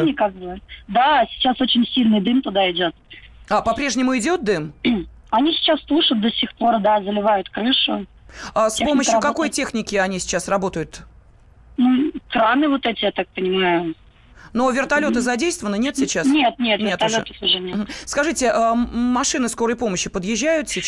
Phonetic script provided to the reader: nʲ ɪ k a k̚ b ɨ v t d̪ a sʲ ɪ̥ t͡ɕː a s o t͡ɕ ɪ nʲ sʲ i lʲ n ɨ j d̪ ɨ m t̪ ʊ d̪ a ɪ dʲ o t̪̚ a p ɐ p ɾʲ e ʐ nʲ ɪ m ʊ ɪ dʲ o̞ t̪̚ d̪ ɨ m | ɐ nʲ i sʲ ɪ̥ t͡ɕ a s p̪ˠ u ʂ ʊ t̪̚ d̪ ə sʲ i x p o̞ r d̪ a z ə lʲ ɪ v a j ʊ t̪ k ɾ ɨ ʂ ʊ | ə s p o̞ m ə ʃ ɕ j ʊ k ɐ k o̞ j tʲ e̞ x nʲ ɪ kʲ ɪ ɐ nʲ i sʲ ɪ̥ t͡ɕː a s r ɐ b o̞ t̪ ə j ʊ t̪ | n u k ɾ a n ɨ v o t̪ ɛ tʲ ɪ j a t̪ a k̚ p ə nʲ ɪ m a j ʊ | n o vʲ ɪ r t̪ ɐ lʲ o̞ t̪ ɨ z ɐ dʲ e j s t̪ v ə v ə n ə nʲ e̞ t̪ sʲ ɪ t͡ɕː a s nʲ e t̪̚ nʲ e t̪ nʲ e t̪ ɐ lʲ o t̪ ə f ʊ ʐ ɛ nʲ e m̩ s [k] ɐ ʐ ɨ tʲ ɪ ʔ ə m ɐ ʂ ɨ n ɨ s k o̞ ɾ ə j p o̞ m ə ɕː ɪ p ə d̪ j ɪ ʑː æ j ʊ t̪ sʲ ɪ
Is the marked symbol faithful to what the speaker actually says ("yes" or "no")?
yes